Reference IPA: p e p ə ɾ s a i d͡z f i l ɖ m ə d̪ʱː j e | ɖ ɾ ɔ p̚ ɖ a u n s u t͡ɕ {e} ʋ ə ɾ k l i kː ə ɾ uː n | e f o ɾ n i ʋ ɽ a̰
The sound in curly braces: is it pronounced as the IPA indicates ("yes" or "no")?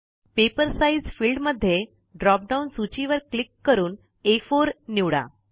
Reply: no